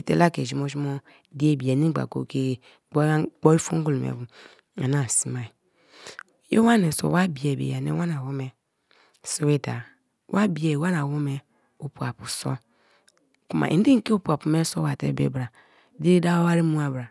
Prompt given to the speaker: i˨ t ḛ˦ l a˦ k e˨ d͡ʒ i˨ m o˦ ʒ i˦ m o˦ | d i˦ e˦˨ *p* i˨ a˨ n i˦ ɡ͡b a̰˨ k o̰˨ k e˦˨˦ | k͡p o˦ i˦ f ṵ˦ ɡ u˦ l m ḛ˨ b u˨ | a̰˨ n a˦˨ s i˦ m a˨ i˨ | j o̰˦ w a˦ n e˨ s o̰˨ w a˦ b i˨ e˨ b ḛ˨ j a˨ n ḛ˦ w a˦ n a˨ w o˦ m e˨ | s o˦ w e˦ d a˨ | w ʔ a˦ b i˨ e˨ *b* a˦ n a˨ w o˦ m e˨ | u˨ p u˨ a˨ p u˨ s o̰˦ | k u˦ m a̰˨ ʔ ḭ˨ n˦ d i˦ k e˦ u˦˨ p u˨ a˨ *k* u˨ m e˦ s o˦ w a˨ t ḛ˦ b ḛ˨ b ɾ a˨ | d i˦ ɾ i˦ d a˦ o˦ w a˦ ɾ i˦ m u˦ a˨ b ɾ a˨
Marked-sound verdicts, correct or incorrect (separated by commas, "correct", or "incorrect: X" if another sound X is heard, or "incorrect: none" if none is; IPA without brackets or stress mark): incorrect: b, incorrect: w, incorrect: p